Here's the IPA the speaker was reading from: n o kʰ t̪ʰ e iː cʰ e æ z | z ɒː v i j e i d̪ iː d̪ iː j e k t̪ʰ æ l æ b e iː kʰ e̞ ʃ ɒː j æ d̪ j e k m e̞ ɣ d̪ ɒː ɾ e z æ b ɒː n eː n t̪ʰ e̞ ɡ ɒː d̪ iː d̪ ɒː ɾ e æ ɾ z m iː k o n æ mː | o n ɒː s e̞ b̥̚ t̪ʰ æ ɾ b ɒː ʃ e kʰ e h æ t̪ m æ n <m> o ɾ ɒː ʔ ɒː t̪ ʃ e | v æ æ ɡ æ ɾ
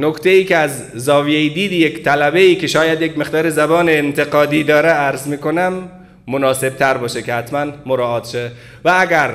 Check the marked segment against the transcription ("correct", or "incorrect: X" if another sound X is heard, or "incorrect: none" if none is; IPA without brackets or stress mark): correct